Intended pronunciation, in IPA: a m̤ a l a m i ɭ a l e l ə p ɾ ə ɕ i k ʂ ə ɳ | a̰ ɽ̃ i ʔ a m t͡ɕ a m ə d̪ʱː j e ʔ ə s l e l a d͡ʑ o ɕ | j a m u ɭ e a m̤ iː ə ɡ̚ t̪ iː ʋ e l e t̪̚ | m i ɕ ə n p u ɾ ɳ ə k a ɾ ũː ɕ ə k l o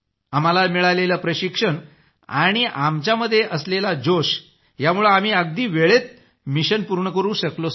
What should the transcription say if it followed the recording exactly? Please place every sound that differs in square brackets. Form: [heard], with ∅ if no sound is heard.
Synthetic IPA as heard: a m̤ a l a m i ɭ a l e l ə p ɾ ə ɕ i k ʂ ə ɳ | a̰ ɽ̃ i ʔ a m t͡ɕ a m ə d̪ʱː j e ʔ ə s l e l a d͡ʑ o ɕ | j a m u ɭ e a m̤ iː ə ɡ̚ [d̪] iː ʋ e [ɭ] e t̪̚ | m i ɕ ə n p u ɾ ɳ ə k [ə] ɾ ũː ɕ ə k l o